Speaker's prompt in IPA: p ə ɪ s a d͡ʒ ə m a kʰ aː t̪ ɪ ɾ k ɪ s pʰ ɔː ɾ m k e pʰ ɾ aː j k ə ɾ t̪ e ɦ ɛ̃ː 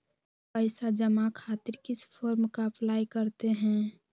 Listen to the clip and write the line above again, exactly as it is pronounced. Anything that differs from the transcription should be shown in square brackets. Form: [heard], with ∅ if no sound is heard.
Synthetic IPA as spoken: p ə ɪ s a d͡ʒ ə m a kʰ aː t̪ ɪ ɾ k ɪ s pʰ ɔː ɾ m k [a] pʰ [l] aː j k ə ɾ t̪ e ɦ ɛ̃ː